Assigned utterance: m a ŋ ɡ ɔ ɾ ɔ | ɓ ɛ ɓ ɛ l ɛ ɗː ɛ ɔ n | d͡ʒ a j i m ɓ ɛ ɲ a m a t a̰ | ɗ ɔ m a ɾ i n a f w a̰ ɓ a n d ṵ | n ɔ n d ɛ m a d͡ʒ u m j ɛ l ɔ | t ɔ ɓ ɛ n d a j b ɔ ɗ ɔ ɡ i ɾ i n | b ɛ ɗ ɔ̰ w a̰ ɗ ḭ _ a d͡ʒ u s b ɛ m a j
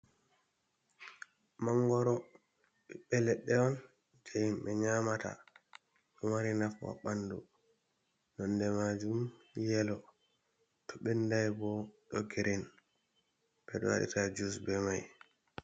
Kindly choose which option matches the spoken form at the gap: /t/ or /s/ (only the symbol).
t